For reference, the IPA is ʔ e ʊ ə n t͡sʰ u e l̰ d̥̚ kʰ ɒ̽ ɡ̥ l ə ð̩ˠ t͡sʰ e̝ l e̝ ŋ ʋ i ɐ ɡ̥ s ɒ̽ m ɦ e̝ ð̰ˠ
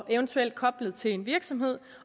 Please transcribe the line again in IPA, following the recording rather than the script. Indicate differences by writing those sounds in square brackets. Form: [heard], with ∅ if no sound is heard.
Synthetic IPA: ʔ e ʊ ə n t͡sʰ u e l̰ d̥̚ kʰ ɒ̽ [b̥] l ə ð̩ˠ t͡sʰ e̝ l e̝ [n] ʋ i ɐ ɡ̥ s ɒ̽ m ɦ e̝ ð̰ˠ